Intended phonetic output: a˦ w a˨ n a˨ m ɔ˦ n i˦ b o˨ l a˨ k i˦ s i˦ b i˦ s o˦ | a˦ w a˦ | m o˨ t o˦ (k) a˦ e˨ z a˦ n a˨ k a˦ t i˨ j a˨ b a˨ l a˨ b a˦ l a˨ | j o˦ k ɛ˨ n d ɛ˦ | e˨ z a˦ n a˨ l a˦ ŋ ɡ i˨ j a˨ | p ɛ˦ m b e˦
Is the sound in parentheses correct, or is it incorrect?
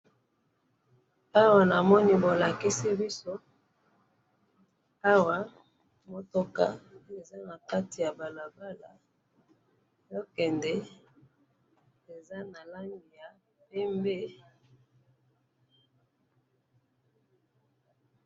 correct